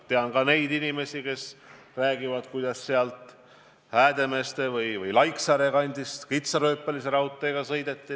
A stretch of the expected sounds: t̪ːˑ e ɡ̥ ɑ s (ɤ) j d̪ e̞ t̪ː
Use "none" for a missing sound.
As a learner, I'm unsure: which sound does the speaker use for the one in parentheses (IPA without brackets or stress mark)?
ɤ